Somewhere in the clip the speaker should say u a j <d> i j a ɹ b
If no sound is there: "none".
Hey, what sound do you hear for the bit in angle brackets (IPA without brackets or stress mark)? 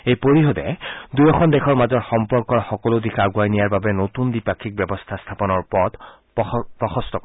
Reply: n